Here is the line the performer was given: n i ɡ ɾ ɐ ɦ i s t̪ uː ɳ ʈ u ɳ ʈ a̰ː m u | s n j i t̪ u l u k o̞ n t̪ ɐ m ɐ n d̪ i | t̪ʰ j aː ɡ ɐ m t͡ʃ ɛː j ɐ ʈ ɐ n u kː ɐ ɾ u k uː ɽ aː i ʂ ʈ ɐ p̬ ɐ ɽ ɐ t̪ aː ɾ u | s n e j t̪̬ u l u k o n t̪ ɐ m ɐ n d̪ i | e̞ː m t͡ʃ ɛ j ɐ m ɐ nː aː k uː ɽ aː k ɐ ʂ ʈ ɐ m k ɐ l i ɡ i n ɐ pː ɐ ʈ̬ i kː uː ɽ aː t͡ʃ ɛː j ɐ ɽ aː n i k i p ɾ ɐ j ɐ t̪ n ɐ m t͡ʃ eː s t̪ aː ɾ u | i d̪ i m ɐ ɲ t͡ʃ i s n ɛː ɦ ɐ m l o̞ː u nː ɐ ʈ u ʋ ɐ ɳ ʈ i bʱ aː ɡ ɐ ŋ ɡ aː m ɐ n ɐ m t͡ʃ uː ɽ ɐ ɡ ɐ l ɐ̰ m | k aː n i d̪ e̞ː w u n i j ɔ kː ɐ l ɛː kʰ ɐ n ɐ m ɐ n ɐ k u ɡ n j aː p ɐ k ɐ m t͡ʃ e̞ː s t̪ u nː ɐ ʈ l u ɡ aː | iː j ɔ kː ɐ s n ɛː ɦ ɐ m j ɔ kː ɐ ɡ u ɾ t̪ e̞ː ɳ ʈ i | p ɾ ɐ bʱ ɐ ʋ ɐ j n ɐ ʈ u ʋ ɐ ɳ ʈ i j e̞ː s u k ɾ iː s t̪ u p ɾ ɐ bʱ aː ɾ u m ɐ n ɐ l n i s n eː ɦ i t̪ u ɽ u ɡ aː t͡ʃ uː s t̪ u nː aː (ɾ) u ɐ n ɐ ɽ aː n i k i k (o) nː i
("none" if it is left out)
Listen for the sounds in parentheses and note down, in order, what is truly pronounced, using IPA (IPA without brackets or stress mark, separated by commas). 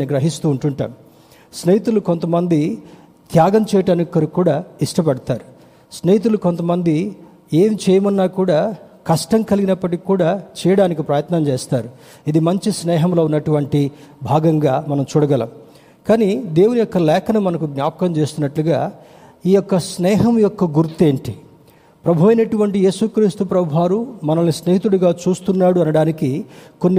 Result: ɽ, o